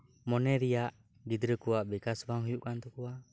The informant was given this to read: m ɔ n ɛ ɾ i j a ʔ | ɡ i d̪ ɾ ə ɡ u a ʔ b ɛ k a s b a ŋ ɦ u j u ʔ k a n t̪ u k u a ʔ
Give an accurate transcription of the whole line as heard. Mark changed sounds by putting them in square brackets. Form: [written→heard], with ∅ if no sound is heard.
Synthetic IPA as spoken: m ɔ n ɛ ɾ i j a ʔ | ɡ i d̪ ɾ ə [ɡ→k] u a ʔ b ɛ k a s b a ŋ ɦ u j u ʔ k a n t̪ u k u a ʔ